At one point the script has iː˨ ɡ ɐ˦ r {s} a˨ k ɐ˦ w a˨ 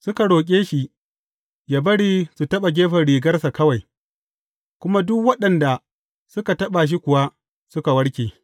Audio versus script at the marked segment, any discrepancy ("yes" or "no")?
no